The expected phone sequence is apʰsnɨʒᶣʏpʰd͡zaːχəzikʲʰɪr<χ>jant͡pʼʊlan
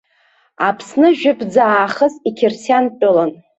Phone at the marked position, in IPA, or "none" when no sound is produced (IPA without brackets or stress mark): s